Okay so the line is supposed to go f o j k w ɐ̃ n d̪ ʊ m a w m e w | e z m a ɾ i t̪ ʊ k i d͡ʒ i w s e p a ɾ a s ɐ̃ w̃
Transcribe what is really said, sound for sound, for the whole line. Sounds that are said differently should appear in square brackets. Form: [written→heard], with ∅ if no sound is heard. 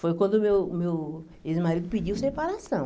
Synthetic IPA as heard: f o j k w ɐ̃ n d̪ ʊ m [a→e] w m e w | e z m a ɾ i [t̪→d̪] ʊ [k→p] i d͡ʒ i w s e p a ɾ a s ɐ̃ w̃